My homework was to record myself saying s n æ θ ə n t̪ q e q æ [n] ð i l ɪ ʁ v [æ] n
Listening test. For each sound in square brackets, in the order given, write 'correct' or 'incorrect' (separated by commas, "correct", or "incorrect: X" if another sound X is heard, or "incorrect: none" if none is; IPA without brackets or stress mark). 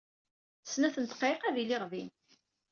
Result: incorrect: none, incorrect: i